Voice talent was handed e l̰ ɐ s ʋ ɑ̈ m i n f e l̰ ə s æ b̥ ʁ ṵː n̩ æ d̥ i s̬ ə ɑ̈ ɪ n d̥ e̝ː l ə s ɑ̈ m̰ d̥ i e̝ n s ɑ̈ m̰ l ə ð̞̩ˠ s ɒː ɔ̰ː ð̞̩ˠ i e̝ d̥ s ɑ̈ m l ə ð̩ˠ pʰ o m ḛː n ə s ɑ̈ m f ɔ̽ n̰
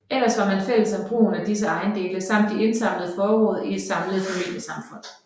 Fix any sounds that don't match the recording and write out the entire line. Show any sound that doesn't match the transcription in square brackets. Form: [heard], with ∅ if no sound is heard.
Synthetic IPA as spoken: e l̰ ɐ s ʋ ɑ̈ m [æ] n f e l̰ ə s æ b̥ ʁ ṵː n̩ æ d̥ i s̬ ə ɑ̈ ɪ n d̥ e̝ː l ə s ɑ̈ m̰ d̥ i e̝ n s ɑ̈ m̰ l ə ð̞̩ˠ [f] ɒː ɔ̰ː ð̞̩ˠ i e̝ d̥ s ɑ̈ m l ə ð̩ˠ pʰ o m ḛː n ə s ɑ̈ m f ɔ̽ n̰